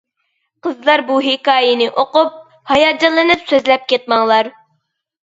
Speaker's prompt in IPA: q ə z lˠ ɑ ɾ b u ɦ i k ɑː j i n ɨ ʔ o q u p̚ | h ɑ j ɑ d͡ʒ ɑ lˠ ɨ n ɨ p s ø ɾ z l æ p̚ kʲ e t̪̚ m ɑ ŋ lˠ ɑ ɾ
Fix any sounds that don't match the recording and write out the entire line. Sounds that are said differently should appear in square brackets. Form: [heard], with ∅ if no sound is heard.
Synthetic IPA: q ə z lˠ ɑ ɾ b u ɦ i k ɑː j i n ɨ ʔ o q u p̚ | h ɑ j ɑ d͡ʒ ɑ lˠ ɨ n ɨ p s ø [∅] z l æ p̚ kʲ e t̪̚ m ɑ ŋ lˠ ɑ ɾ